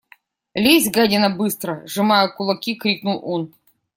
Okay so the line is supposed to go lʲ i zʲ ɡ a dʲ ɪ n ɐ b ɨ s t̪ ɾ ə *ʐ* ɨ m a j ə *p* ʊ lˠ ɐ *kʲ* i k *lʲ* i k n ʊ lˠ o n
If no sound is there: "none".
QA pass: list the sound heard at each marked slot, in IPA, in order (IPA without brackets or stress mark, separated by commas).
ʐ, k, kʲ, ɾʲ